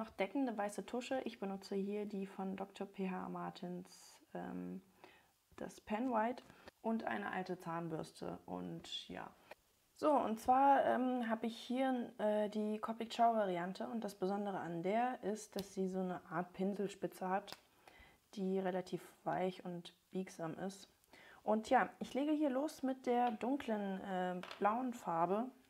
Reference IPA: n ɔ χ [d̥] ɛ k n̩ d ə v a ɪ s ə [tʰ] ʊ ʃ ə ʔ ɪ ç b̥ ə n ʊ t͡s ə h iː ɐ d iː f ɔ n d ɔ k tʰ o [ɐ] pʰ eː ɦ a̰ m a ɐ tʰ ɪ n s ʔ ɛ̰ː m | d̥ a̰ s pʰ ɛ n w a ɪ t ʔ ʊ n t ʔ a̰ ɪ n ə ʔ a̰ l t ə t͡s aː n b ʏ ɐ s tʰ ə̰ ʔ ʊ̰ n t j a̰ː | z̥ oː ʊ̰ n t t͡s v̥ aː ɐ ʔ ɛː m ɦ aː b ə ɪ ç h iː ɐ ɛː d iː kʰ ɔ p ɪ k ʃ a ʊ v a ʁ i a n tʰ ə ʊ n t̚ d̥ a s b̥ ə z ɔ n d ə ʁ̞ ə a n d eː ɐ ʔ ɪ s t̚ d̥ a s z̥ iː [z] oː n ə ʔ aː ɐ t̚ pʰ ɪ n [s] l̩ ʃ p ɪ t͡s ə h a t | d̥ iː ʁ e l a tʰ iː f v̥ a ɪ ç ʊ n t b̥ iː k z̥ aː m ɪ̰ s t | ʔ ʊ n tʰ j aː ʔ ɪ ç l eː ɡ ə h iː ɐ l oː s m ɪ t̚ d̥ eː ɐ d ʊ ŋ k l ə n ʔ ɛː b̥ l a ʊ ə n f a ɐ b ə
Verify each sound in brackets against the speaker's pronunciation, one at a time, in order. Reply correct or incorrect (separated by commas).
correct, correct, correct, correct, incorrect